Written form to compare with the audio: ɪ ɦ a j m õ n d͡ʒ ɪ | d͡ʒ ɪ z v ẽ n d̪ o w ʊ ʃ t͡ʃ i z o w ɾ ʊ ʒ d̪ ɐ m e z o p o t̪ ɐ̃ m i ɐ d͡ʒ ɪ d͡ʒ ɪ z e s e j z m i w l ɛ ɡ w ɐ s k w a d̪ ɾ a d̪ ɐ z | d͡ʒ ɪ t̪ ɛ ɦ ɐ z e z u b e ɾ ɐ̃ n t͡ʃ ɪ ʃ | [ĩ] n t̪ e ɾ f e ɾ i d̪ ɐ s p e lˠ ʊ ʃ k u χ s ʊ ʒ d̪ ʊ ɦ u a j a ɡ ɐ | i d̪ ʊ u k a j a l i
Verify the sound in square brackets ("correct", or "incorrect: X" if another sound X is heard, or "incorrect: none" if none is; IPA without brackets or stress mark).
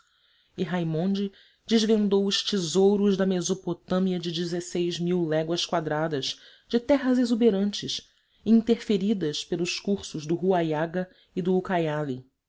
correct